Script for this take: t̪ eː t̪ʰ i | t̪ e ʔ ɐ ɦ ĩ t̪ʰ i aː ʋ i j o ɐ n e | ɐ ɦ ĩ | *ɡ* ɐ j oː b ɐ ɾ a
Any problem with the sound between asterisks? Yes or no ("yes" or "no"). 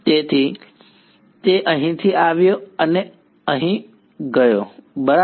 no